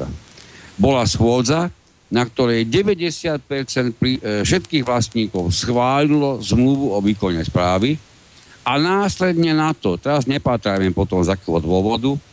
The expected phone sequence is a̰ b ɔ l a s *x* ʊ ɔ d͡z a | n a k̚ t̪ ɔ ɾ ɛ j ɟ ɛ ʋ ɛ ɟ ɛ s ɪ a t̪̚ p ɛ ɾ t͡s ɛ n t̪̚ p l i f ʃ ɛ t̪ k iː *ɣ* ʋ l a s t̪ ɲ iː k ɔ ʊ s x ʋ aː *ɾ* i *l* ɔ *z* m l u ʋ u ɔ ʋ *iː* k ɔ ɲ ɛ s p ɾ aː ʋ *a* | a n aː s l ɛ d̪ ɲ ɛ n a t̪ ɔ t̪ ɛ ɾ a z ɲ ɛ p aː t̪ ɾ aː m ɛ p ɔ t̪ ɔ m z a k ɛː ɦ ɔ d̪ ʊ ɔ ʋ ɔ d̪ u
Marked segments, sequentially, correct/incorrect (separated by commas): correct, correct, incorrect, correct, correct, correct, incorrect